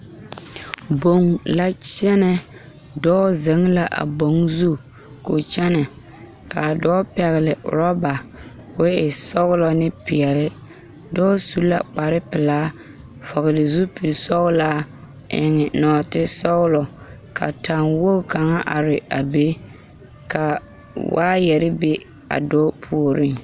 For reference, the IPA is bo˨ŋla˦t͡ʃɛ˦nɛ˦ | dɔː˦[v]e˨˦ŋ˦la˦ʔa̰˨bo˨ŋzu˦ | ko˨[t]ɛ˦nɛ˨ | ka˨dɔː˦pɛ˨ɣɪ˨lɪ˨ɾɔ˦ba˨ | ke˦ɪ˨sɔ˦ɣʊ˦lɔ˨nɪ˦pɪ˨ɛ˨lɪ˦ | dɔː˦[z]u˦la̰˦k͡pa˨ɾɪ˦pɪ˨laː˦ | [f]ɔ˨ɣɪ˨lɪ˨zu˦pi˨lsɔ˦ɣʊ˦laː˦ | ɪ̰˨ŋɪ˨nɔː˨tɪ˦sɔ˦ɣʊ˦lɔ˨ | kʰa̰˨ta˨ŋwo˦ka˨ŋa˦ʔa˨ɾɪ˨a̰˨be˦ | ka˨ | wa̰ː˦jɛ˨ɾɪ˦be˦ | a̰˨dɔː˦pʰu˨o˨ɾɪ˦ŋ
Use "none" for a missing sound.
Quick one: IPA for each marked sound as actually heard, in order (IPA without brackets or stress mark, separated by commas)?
z, t͡ʃ, s, f